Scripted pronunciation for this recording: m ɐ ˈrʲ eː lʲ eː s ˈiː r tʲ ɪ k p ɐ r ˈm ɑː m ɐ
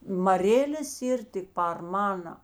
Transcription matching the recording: m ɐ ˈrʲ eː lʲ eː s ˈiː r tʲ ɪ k p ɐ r ˈm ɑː n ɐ